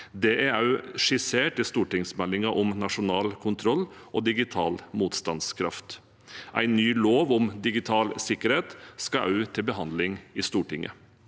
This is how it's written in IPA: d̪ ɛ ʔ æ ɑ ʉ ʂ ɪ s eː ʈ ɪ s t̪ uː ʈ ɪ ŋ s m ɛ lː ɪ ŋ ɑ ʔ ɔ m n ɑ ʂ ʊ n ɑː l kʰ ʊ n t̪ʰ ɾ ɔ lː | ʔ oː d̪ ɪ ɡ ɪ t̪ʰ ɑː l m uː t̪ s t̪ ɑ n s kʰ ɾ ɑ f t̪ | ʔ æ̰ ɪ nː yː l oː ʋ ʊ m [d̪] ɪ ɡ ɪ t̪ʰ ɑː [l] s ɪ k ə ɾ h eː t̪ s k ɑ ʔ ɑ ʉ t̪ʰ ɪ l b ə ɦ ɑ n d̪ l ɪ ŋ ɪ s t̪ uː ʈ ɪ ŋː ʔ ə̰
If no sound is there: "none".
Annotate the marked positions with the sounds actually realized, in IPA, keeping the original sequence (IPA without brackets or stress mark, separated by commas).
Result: d̪, l